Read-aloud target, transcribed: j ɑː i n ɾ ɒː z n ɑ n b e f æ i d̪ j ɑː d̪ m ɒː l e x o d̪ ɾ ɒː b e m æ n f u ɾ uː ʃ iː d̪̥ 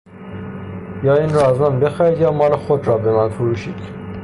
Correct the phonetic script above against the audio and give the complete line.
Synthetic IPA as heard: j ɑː i n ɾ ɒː z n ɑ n b e x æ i d̪ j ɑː m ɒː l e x o d̪ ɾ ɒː b e m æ n f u ɾ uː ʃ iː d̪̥